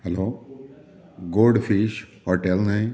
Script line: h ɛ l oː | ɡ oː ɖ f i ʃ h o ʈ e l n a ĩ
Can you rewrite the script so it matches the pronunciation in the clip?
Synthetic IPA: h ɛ l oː | ɡ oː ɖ f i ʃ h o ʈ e l n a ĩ